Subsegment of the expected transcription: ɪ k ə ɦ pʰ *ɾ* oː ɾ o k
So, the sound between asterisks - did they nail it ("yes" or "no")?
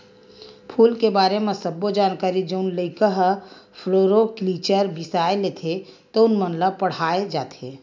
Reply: no